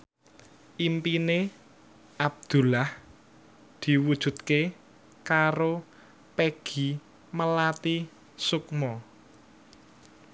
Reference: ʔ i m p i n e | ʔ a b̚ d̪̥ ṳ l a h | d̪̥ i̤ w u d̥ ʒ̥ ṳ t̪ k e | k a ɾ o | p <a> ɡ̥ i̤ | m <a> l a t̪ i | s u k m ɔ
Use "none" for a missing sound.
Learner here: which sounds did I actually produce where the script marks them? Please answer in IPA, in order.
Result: e, ə

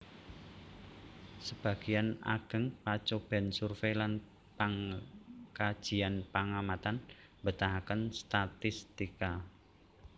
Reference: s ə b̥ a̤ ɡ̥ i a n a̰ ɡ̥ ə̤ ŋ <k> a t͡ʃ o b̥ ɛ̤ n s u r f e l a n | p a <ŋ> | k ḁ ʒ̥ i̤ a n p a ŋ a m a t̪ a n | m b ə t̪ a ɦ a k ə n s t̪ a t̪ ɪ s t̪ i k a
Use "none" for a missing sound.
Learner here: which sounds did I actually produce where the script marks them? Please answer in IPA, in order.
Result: p, ŋ

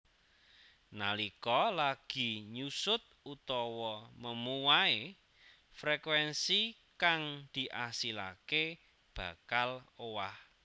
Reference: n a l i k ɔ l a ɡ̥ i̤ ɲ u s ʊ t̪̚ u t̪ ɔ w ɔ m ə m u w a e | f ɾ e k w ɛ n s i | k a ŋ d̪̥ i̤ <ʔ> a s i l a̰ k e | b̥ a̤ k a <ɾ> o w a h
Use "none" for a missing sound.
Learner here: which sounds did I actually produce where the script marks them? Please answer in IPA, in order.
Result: ʔ, l

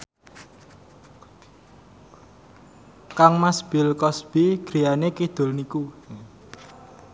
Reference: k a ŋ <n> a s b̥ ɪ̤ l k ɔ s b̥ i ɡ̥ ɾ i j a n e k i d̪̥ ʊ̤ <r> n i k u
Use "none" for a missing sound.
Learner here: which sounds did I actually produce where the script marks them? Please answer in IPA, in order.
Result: m, l

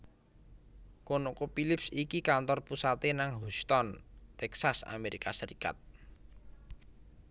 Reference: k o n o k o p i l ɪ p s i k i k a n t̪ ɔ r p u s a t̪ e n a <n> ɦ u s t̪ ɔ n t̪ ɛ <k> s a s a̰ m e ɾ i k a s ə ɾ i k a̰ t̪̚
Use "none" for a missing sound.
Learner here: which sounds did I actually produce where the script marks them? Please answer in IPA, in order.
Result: ŋ, k

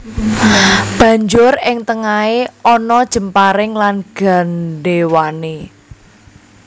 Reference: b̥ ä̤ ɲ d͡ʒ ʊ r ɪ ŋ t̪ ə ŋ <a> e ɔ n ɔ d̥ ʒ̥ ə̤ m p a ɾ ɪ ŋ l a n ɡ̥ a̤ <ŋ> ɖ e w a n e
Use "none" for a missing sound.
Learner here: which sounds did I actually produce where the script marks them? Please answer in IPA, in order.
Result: a, n

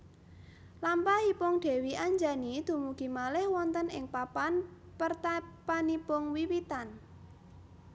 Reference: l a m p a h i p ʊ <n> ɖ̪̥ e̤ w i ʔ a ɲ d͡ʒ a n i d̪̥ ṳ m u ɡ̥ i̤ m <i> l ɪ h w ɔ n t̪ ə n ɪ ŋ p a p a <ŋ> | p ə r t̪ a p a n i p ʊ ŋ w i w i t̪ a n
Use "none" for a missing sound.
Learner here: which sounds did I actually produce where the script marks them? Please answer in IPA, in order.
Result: ŋ, a, n

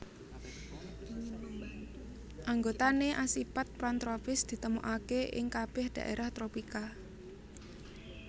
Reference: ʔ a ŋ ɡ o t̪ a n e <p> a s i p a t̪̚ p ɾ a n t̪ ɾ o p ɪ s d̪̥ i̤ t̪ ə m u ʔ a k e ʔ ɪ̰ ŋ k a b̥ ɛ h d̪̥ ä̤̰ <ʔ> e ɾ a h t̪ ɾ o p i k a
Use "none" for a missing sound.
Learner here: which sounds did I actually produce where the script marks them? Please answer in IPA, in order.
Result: ʔ, ʔ

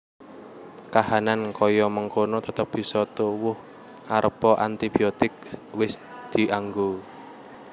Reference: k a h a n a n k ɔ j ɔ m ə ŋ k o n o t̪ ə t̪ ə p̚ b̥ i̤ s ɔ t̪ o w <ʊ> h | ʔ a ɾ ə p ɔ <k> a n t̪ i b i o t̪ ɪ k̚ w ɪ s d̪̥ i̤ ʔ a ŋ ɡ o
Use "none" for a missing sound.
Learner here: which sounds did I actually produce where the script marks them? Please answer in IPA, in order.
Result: ʊ, ʔ

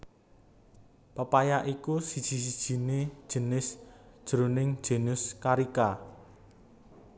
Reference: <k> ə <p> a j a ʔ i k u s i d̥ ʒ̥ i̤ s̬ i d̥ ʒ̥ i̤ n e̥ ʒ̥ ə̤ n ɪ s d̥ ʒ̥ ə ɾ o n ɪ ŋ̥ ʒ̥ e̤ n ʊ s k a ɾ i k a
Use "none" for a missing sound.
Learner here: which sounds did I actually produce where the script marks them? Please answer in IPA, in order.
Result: p, p

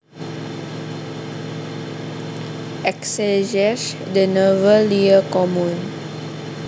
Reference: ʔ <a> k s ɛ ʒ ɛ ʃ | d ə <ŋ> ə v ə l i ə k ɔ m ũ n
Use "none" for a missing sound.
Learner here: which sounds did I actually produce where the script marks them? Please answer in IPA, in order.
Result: ɛ, n

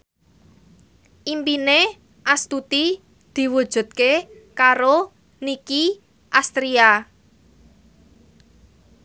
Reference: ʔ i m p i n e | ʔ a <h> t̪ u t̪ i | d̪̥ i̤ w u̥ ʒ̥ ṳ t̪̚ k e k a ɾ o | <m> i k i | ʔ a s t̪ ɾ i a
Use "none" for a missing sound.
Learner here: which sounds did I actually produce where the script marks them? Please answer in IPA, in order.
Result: s, n

